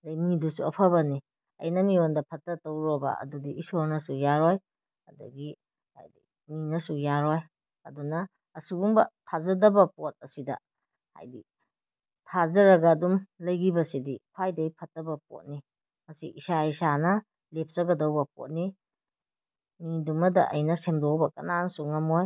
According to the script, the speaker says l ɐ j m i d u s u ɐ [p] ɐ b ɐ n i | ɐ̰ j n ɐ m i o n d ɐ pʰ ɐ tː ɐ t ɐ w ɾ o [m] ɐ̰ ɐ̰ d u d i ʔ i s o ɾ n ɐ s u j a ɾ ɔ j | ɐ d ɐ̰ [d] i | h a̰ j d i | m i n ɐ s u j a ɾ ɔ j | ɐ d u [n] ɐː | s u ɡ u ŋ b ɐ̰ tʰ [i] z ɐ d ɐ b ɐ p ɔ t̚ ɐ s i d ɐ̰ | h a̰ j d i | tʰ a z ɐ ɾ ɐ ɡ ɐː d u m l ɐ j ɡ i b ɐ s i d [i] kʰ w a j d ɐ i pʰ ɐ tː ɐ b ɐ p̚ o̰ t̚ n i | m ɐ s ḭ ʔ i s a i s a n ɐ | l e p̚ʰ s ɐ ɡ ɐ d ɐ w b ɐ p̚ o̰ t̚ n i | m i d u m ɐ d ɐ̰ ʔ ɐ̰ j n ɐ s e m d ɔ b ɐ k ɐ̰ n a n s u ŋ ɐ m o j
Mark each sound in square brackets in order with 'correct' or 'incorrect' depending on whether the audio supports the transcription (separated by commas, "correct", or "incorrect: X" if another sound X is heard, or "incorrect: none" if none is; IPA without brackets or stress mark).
incorrect: pʰ, incorrect: b, incorrect: ɡ, correct, incorrect: a, correct